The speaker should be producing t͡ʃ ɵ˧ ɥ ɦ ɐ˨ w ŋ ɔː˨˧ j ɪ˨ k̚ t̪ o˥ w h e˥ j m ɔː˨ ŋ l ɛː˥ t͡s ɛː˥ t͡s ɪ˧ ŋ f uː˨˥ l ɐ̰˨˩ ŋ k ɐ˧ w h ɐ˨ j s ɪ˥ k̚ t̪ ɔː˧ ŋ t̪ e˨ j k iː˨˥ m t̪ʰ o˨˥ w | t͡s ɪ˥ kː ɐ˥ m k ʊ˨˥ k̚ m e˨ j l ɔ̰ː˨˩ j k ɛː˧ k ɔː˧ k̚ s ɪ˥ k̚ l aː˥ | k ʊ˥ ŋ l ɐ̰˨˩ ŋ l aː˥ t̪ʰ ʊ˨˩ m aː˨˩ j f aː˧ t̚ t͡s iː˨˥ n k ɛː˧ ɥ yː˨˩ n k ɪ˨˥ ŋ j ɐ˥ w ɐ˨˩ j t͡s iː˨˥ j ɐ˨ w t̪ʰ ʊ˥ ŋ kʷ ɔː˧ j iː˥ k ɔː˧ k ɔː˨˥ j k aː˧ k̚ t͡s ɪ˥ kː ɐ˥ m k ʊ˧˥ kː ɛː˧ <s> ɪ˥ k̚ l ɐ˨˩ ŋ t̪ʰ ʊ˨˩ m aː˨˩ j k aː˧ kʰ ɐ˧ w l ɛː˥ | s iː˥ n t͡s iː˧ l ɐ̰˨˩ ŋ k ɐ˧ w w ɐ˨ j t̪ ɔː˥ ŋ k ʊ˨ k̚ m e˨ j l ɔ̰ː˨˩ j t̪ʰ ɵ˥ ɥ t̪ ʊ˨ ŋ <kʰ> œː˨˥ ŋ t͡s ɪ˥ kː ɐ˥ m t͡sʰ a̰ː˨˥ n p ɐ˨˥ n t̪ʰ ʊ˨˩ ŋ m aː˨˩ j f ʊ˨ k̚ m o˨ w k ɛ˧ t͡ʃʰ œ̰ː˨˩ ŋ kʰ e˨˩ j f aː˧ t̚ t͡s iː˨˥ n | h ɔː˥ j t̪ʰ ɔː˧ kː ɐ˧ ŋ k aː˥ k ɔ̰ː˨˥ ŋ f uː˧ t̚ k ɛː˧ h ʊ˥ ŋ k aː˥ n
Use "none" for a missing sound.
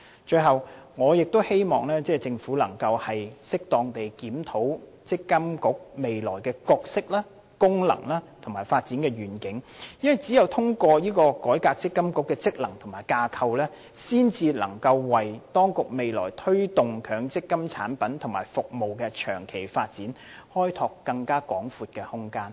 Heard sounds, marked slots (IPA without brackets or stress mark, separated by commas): t͡s, kʰ